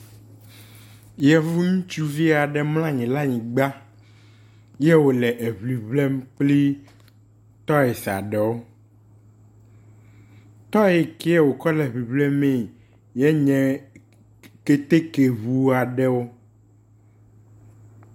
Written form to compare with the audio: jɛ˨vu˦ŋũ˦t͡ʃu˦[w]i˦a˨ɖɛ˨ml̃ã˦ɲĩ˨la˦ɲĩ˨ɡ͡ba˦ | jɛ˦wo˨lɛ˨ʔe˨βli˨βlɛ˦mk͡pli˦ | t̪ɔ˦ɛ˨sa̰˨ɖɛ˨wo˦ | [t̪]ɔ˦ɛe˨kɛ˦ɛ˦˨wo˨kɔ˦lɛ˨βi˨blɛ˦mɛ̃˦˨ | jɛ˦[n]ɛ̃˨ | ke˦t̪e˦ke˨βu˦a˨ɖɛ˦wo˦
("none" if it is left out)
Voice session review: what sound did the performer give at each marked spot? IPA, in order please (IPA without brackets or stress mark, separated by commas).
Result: v, t̪, ɲ